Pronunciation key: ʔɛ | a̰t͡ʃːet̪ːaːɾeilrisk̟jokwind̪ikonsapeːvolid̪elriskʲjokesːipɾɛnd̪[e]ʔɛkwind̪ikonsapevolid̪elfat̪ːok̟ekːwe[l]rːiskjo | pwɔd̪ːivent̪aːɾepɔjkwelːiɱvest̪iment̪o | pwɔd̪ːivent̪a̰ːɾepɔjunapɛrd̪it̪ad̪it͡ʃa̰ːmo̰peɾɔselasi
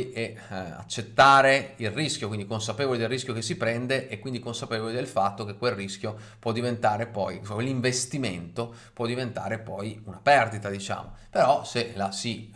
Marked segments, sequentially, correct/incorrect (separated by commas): correct, correct